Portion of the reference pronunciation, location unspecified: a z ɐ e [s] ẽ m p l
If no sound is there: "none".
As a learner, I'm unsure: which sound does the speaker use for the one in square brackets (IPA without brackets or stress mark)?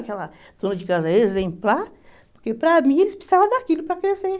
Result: z